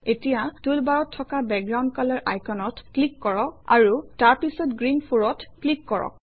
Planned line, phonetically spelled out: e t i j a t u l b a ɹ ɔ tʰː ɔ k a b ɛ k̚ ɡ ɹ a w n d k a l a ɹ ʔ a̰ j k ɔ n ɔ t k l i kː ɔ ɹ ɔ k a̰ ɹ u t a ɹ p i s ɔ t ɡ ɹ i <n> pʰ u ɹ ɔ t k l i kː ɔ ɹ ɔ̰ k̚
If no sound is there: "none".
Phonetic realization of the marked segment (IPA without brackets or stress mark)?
n